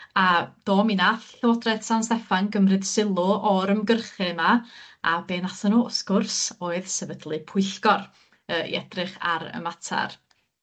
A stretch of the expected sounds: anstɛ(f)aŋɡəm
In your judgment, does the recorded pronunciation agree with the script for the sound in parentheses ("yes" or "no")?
yes